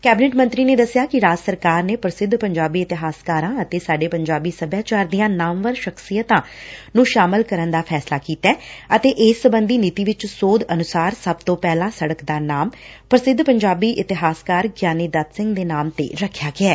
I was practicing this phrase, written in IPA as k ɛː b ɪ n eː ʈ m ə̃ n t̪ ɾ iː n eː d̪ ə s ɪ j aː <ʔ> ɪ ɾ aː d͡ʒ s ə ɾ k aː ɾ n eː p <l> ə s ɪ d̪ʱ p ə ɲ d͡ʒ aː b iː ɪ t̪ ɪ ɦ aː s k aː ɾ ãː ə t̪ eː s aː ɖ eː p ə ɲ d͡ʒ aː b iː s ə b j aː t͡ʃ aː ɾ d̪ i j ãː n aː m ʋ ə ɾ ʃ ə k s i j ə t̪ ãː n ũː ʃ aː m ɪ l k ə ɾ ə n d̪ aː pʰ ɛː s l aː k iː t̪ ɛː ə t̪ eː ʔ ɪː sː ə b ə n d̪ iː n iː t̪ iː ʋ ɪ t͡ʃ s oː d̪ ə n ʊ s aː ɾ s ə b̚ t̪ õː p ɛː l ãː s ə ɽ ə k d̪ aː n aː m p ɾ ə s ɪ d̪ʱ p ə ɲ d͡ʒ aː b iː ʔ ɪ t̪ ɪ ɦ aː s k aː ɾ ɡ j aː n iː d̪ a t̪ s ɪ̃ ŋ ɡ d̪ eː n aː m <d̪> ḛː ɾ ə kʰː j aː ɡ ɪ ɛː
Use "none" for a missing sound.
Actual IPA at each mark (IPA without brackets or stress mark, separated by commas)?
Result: k, ɾ, t̪